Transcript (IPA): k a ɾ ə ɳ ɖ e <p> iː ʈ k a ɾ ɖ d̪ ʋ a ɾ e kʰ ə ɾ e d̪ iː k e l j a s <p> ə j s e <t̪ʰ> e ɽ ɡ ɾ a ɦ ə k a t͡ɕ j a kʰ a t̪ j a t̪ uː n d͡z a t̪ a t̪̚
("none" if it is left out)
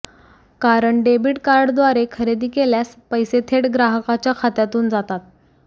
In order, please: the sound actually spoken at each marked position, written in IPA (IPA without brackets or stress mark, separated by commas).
b, p, t̪ʰ